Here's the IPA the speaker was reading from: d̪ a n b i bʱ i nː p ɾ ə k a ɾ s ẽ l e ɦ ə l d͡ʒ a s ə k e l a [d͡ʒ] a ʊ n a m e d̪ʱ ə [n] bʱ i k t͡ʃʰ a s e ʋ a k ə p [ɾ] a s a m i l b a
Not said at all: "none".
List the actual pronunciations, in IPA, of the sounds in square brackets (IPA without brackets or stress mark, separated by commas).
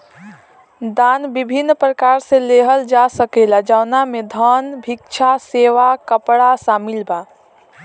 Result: d͡ʒ, n, ɽ